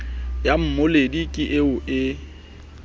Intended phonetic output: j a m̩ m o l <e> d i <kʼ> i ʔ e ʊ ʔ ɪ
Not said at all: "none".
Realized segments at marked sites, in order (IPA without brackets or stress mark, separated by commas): e, kʼ